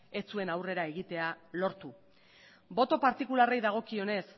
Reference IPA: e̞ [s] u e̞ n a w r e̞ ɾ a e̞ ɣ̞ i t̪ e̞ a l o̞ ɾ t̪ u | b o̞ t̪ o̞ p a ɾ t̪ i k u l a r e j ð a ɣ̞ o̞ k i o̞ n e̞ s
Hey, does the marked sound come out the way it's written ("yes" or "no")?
no